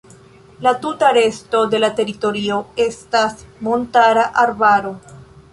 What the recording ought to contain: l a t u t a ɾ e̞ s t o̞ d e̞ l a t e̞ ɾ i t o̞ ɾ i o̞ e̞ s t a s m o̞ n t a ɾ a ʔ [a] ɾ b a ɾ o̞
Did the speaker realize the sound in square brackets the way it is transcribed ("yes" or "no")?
yes